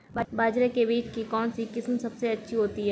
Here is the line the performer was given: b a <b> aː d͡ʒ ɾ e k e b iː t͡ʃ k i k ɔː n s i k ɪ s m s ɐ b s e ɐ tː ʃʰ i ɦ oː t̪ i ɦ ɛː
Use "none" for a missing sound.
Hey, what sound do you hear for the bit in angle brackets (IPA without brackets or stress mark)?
b